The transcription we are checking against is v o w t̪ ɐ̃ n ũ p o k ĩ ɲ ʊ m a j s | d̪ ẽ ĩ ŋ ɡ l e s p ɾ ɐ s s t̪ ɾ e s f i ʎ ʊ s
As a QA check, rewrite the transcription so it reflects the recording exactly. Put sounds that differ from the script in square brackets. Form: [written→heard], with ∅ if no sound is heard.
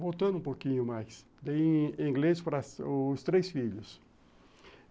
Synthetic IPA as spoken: v o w t̪ ɐ̃ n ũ p o k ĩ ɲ ʊ m a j s | d̪ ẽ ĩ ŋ ɡ l e s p ɾ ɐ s s t̪ ɾ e s f i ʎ ʊ s